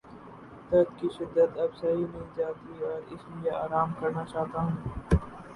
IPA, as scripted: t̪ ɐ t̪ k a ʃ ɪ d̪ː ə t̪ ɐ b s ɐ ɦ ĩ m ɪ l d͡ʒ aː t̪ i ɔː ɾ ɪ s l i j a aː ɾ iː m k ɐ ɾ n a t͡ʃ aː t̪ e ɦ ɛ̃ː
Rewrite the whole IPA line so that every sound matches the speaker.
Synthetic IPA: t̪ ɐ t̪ k i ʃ ɪ d̪ː ə t̪ ɐ b s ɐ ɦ i m ɪ l d͡ʒ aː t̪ i ɔː ɾ ɪ s l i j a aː ɾ aː m k ɐ ɾ n a t͡ʃ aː t̪ a ɦ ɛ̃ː